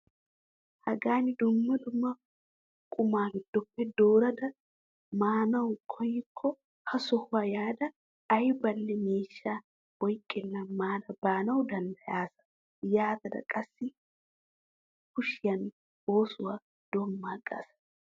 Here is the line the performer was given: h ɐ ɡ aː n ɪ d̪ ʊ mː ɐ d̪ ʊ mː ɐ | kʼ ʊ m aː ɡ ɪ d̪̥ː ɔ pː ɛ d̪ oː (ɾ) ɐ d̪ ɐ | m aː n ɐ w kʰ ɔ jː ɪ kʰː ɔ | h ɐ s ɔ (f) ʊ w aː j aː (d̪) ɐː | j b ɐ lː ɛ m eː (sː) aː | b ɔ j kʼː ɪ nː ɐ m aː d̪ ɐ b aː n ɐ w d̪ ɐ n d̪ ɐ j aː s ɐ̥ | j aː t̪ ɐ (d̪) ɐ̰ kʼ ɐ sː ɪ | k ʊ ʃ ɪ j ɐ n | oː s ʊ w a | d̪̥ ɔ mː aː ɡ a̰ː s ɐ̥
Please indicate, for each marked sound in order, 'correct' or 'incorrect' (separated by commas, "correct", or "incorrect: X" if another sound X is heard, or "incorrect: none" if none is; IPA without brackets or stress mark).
correct, incorrect: h, correct, incorrect: ʃː, correct